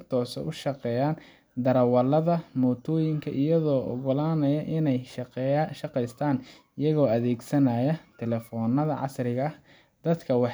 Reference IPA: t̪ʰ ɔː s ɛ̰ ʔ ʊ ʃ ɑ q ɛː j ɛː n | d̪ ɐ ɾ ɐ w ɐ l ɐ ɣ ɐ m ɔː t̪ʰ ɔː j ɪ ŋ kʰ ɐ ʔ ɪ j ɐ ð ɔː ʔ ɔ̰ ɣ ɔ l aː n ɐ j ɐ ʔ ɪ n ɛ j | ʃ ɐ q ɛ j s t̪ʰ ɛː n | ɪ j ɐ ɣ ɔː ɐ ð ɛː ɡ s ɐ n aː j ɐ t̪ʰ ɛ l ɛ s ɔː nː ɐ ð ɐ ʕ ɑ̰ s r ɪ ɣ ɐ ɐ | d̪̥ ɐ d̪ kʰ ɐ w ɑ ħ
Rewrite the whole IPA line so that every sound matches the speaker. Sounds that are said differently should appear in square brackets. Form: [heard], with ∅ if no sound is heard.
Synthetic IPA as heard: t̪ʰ ɔː s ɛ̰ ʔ ʊ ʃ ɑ q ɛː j [aː] n | d̪ ɐ ɾ ɐ w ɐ l ɐ [ð] ɐ m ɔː t̪ʰ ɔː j ɪ ŋ kʰ ɐ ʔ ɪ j ɐ ð ɔː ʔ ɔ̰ ɣ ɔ l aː n ɐ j ɐ ʔ ɪ n ɛ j | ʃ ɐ q ɛ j s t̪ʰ [aː] n | ɪ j ɐ ɣ ɔː ɐ ð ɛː ɡ s ɐ n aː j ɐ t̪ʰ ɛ l ɛ [f] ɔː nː ɐ ð ɐ ʕ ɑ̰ s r ɪ ɣ ɐ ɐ | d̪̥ ɐ d̪ kʰ ɐ w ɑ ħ

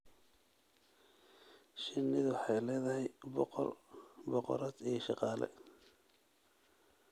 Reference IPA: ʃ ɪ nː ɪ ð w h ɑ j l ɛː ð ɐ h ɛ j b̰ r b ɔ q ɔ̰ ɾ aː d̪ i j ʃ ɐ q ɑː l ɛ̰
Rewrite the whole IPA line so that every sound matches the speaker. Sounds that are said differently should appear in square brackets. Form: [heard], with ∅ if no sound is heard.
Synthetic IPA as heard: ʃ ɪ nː ɪ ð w [ħ] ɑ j l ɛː ð ɐ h ɛ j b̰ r b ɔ q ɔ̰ ɾ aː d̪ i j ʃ [ɑ] q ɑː l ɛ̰

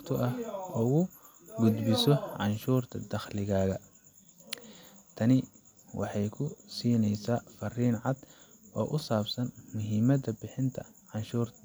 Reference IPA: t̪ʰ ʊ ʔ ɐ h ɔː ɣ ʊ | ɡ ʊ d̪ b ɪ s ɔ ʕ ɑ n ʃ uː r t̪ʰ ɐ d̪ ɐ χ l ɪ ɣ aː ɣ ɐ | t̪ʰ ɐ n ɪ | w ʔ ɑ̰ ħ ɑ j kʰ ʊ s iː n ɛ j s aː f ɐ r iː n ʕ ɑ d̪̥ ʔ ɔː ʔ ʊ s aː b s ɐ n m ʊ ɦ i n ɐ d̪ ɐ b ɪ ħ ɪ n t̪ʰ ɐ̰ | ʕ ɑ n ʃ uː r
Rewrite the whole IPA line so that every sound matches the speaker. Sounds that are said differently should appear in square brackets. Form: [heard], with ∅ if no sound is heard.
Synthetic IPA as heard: t̪ʰ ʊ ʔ ɐ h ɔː ɣ ʊ | ɡ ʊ d̪ b ɪ s ɔ ʕ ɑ n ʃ uː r t̪ʰ ɐ d̪ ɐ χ l ɪ ɣ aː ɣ ɐ | t̪ʰ ɐ n ɪ | w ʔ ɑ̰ ħ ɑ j kʰ ʊ s iː n ɛ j s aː f ɐ r iː n ʕ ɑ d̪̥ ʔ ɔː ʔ ʊ s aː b s ɐ n m ʊ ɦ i [m] ɐ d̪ ɐ b ɪ ħ ɪ n t̪ʰ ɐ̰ | ʕ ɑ n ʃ uː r

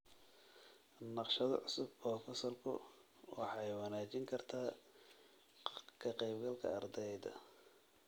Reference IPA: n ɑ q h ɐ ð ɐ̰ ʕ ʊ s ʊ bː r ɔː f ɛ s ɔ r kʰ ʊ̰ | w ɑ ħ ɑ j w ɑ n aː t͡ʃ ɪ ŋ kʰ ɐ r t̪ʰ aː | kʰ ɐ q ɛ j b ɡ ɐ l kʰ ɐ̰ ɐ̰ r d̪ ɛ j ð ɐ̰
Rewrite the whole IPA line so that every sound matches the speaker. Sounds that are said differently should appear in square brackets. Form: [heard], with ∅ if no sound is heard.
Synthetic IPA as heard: n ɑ q [ʃ] ɐ ð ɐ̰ ʕ ʊ s ʊ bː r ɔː f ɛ s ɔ r kʰ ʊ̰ | w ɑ ħ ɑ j w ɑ n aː t͡ʃ ɪ ŋ kʰ ɐ r t̪ʰ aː | kʰ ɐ q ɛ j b ɡ ɐ l kʰ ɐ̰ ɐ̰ r d̪ ɛ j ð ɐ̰

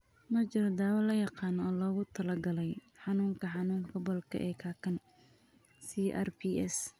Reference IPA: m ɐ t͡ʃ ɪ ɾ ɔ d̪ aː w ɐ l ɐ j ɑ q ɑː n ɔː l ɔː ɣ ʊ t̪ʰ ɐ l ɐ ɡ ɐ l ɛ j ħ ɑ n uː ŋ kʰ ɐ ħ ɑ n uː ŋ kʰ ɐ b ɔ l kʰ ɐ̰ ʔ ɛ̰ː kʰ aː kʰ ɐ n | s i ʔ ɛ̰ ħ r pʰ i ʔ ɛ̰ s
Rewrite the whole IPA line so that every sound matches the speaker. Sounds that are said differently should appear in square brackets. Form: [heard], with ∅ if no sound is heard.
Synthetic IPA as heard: m ɐ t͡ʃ ɪ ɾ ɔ d̪ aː w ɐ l ɐ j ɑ q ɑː n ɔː l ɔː ɣ ʊ t̪ʰ ɐ l ɐ ɡ ɐ l ɛ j ħ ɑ n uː ŋ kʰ ɐ ħ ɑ n uː ŋ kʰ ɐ b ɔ l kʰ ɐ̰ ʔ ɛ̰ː kʰ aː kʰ ɐ n | s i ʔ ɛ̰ [∅] r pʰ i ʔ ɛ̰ s

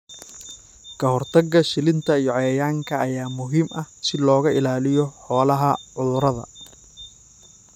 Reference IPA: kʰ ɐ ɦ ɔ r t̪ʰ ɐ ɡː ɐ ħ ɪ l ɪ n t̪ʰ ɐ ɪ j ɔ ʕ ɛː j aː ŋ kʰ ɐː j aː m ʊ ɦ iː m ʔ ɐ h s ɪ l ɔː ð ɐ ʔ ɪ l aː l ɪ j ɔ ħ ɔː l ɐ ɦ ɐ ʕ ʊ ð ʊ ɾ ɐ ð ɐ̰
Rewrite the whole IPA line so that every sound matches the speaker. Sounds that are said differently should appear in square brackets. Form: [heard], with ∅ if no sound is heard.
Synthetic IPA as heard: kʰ ɐ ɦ ɔ r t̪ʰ ɐ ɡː ɐ [ʃ] ɪ l ɪ n t̪ʰ ɐ [i] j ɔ ʕ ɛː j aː ŋ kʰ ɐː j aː m ʊ ɦ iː m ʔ ɐ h s ɪ l ɔː [ɣ] ɐ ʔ ɪ l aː l ɪ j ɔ ħ ɔː l ɐ ɦ ɐ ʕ ʊ ð ʊ ɾ ɐ ð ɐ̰

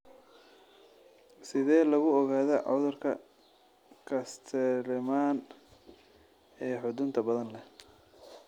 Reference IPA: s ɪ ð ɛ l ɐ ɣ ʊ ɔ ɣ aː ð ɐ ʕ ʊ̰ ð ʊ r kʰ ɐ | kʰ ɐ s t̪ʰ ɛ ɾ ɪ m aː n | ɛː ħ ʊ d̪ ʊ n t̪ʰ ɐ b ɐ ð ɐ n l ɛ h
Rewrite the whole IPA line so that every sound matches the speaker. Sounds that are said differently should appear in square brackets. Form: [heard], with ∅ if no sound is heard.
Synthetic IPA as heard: s ɪ ð [ɛː] l ɐ ɣ ʊ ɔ ɣ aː ð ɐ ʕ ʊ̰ ð ʊ r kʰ ɐ | kʰ ɐ s t̪ʰ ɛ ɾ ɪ m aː n | ɛː ħ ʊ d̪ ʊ n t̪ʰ ɐ b ɐ ð ɐ n l ɛ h

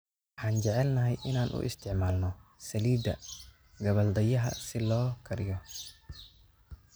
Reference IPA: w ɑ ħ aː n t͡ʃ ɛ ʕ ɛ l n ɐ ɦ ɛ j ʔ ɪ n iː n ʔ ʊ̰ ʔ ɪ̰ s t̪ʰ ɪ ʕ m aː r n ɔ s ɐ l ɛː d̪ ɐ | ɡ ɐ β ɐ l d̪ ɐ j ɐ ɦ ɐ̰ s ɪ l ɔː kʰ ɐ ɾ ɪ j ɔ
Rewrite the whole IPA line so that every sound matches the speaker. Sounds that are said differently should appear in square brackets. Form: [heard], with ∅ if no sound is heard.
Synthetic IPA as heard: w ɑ ħ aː n t͡ʃ ɛ ʕ ɛ l n ɐ ɦ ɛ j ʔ ɪ n [aː] n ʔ ʊ̰ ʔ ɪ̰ s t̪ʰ ɪ ʕ m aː [l] n ɔ s ɐ l [iː] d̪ ɐ | ɡ ɐ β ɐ l d̪ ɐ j ɐ ɦ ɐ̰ s ɪ l ɔː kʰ ɐ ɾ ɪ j ɔ

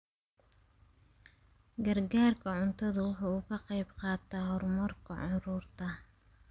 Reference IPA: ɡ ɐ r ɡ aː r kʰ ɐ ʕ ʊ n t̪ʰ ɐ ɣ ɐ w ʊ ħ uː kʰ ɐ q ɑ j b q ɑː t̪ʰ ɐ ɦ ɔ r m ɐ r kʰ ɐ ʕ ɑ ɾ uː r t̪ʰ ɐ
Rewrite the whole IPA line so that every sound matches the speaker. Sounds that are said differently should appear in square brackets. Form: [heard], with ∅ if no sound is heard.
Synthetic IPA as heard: ɡ ɐ r ɡ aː r kʰ ɐ ʕ ʊ n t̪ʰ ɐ [ð] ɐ w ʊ ħ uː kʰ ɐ q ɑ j b q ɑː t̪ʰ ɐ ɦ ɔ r m ɐ r kʰ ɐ ʕ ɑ ɾ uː r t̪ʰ ɐ

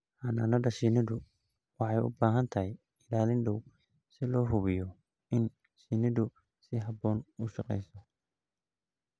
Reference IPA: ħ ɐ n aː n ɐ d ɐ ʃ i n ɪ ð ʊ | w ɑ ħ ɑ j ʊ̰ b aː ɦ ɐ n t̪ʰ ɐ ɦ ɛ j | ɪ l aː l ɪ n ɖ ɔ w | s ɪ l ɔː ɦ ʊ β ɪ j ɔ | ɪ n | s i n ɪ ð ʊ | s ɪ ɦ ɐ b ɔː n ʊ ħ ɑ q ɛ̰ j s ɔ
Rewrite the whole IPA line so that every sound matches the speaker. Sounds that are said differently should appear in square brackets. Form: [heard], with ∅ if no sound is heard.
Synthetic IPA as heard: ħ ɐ n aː n ɐ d ɐ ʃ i n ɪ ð ʊ | w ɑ ħ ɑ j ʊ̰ b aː ɦ ɐ n t̪ʰ ɐ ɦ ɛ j | ɪ l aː l ɪ n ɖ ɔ w | s ɪ l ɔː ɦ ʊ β ɪ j ɔ | ɪ n | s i n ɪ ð ʊ | s ɪ ɦ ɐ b ɔː n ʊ [ʃ] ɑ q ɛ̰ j s ɔ

